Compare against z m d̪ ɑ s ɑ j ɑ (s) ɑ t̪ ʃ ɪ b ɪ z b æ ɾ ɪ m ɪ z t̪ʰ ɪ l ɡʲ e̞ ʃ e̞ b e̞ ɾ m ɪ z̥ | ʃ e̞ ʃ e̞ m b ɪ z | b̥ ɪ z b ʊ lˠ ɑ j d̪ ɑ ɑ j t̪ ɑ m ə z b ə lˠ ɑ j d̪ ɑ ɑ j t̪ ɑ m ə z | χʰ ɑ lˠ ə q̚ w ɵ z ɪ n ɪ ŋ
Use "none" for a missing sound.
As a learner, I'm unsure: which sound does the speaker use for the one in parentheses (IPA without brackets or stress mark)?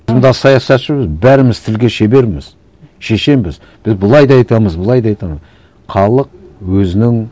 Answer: s